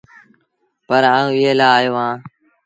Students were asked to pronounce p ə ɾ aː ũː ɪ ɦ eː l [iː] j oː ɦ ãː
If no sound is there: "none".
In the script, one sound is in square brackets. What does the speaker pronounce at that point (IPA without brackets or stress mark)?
aː